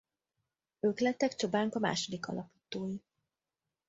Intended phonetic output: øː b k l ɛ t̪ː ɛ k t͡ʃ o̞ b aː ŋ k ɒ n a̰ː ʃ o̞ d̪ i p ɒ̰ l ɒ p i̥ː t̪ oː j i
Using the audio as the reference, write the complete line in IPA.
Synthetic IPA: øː k l ɛ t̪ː ɛ k t͡ʃ o̞ b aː ŋ k ɒ m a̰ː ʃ o̞ d̪ i k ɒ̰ l ɒ p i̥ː t̪ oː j i